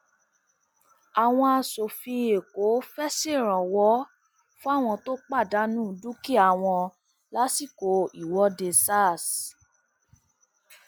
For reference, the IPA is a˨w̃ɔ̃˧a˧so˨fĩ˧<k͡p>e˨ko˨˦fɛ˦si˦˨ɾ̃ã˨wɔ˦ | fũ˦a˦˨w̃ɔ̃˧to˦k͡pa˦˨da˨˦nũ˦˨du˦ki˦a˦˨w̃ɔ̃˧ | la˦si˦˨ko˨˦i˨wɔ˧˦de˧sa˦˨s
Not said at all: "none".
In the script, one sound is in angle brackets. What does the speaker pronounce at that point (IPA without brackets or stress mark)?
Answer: none